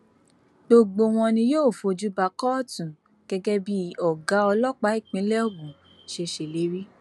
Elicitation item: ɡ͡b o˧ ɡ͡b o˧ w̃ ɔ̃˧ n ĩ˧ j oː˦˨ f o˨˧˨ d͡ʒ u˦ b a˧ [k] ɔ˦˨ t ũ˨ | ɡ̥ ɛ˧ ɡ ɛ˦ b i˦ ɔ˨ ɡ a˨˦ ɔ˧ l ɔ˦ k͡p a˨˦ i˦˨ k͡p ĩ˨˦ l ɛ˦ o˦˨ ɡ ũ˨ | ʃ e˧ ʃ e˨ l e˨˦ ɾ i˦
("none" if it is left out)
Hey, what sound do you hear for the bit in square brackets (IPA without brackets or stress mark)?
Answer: k